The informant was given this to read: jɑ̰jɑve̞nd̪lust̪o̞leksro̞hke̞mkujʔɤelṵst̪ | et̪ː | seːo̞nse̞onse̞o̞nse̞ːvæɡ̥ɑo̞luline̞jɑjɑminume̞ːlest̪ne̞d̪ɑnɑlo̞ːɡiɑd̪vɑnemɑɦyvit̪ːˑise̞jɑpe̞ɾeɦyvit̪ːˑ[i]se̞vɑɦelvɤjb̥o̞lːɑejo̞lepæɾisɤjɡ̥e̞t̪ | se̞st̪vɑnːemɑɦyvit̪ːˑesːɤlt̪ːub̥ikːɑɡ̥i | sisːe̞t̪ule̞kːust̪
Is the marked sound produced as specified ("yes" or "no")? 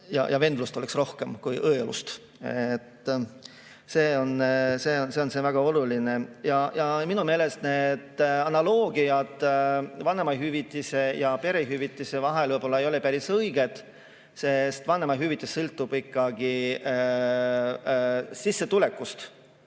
yes